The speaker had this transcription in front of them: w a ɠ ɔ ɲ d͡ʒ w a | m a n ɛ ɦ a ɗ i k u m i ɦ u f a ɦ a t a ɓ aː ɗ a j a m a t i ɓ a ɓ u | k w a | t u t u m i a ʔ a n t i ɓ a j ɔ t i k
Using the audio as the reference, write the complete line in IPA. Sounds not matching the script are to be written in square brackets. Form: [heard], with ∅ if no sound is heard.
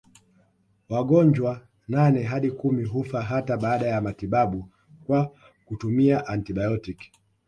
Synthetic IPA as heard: w a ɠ ɔ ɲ d͡ʒ w a | [n] a n ɛ ɦ a ɗ i k u m i ɦ u f a ɦ a t a ɓ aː ɗ a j a m a t i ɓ a ɓ u | k w a | [k] u t u m i a ʔ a n t i ɓ a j ɔ t i k